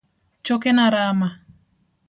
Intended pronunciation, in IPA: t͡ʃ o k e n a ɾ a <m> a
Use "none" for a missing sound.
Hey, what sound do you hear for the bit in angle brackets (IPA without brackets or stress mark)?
m